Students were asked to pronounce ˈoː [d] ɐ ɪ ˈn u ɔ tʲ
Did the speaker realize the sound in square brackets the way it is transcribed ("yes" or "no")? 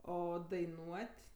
yes